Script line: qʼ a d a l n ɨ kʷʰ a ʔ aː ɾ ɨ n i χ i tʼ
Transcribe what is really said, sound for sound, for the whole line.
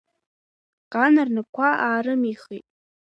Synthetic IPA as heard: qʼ a n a r n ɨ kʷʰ a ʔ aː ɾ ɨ m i χ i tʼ